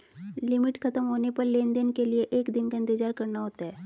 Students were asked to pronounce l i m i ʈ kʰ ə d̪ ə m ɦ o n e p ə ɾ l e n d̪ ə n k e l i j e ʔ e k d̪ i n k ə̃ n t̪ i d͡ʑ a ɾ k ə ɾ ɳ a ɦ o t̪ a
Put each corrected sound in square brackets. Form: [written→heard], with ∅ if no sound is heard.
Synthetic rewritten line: l i m i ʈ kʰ ə [d̪→t̪] ə m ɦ o n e p ə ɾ l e n d̪ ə n k e l i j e ʔ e k d̪ i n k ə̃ n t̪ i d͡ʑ a ɾ k ə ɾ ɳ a ɦ o t̪ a